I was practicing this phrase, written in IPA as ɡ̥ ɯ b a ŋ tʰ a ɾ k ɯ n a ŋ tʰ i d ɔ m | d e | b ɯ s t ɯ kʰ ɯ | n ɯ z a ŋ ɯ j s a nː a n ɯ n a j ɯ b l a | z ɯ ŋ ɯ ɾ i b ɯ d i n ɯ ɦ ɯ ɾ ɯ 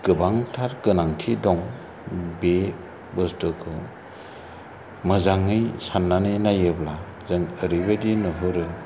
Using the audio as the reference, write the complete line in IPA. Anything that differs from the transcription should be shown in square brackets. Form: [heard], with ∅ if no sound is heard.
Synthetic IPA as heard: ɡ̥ ɯ b a ŋ tʰ a ɾ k ɯ n a ŋ tʰ i d ɔ [ŋ] | [b] e | b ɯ s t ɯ kʰ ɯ | [m] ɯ z a ŋ ɯ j s a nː a n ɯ n a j ɯ b l a | z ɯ ŋ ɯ ɾ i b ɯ d i n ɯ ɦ ɯ ɾ ɯ

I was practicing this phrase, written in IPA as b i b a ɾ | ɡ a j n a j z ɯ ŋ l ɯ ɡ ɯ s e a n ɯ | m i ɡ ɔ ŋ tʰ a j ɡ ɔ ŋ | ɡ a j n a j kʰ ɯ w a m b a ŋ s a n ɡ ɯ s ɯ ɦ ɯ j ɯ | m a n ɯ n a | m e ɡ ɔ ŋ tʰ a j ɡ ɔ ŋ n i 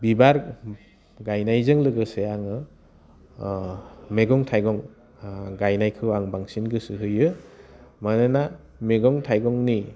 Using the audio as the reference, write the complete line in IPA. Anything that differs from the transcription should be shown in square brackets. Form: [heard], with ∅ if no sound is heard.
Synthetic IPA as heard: b i b a ɾ | ɡ a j n a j z ɯ ŋ l ɯ ɡ ɯ s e a [ŋ] ɯ | m [e] ɡ ɔ ŋ tʰ a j ɡ ɔ ŋ | ɡ a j n a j kʰ ɯ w a [ŋ] b a ŋ s [i] n ɡ ɯ s ɯ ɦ ɯ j ɯ | m a n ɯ n a | m e ɡ ɔ ŋ tʰ a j ɡ ɔ ŋ n i

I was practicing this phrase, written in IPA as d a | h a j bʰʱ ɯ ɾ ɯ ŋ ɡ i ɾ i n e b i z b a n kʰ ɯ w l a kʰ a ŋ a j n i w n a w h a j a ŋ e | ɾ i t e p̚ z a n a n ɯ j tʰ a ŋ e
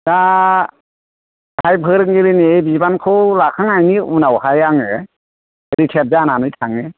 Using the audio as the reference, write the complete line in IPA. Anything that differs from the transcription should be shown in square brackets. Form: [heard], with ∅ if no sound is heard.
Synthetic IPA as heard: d a | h a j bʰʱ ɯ ɾ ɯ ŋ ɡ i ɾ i n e b i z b a n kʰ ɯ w l a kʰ a ŋ a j n i [u] n a w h a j a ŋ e | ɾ i [tʰ] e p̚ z a n a n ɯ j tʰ a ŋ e

